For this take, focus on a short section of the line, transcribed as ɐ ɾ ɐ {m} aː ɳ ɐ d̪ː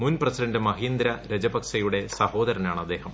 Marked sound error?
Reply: yes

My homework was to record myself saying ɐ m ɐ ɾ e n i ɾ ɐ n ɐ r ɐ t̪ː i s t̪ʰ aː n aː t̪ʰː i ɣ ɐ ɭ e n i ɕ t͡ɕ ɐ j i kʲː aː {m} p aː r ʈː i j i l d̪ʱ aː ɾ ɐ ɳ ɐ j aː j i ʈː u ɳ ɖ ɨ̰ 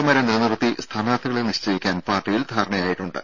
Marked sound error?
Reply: yes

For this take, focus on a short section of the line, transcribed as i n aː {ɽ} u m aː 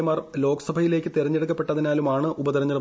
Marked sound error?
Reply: yes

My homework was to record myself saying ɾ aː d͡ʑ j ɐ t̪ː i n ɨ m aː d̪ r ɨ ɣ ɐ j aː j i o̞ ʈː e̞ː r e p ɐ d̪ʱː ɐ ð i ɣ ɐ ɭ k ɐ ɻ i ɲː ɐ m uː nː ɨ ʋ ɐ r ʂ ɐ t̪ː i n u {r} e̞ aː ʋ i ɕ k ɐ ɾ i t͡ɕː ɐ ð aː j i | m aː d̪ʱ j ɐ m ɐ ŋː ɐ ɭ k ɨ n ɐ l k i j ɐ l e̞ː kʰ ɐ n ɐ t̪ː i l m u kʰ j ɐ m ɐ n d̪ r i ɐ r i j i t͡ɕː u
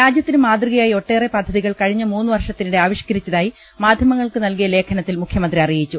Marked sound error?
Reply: yes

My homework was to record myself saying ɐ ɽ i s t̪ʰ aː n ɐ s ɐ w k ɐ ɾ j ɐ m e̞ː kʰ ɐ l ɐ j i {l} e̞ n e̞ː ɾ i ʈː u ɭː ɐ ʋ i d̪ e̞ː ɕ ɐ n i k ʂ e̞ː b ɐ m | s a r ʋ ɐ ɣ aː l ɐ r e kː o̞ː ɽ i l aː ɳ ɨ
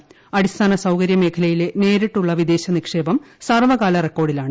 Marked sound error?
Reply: no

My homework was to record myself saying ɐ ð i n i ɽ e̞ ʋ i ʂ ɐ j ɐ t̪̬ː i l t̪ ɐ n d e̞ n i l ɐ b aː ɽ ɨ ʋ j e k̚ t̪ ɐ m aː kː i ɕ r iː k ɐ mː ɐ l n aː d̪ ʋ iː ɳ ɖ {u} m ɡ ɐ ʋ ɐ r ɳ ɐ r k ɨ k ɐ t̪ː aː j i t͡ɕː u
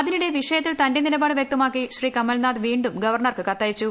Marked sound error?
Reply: no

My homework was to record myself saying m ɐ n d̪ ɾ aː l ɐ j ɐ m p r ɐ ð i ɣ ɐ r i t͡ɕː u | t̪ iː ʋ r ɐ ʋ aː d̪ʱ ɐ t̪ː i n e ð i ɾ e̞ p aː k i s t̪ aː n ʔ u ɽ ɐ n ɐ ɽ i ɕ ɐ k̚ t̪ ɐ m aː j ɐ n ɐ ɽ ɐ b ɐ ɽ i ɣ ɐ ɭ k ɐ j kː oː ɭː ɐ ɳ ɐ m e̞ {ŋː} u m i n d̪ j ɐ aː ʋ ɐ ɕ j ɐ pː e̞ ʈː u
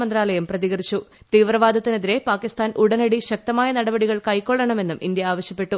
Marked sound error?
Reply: yes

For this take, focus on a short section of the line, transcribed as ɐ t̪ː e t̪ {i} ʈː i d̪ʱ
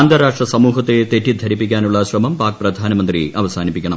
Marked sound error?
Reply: yes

